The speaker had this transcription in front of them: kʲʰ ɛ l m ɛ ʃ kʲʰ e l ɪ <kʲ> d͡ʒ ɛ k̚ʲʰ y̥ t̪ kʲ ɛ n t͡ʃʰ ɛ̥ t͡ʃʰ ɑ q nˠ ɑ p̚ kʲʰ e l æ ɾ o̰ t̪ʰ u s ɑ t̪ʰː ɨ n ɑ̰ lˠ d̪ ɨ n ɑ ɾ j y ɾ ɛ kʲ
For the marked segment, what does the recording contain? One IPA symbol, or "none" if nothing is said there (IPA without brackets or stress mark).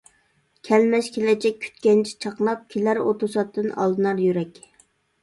none